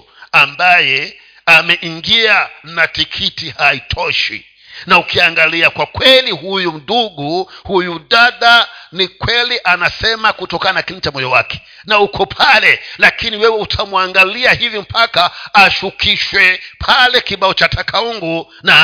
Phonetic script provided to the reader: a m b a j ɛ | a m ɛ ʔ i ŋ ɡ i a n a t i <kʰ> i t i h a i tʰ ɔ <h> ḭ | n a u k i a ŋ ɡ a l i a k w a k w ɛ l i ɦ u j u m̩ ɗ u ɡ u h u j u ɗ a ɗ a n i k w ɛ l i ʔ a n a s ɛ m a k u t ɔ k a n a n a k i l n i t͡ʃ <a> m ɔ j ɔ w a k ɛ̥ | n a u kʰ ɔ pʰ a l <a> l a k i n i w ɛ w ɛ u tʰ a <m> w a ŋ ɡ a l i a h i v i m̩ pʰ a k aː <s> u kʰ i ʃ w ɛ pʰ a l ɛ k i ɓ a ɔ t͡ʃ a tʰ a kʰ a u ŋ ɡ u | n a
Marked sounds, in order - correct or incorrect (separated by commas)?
correct, incorrect, correct, incorrect, correct, incorrect